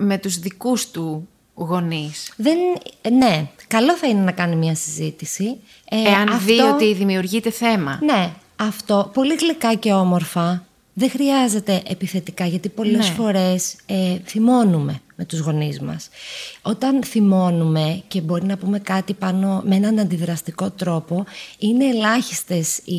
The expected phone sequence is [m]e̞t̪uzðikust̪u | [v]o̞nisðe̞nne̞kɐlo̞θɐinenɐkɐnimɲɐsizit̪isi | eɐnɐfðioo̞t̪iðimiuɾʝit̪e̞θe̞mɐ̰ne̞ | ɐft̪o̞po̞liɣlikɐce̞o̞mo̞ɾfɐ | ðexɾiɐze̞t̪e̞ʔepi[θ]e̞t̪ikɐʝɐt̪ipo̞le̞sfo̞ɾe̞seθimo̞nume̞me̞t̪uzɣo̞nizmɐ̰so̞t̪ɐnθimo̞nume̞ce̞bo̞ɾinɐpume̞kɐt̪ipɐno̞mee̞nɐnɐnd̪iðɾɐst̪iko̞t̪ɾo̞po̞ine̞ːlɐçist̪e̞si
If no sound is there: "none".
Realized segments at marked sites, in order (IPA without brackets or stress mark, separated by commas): m, ɣ, θ